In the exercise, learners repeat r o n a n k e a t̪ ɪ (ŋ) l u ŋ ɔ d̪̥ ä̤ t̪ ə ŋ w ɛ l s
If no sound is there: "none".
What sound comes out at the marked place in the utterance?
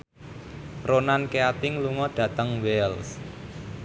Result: ŋ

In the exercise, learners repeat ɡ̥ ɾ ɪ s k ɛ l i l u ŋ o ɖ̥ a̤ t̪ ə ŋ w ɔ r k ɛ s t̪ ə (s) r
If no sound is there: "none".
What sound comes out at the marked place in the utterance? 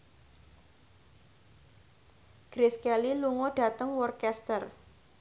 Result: none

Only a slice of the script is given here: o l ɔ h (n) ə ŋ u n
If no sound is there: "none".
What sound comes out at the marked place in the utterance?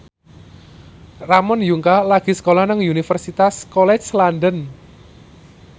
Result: n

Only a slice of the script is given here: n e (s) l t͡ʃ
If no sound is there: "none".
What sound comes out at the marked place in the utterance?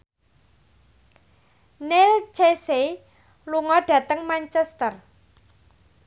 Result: none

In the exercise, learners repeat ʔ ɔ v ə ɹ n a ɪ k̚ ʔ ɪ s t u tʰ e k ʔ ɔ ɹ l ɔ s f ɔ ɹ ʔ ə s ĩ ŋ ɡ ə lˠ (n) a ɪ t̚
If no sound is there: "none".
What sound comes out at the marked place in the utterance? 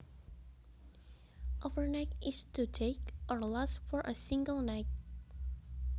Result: n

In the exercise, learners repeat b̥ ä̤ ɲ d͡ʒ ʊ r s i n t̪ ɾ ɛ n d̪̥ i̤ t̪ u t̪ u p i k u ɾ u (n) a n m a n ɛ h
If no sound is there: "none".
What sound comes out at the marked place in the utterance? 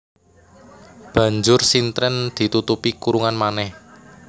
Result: ŋ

